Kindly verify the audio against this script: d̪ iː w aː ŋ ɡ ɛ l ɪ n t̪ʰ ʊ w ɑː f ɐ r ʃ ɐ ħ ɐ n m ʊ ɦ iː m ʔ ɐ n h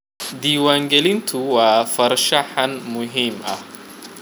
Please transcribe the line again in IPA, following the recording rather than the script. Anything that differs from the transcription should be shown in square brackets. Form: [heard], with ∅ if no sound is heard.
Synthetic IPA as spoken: d̪ iː w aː ŋ ɡ ɛ l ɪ n t̪ʰ ʊ w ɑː f ɐ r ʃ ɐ ħ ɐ n m ʊ ɦ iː m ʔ ɐ [∅] h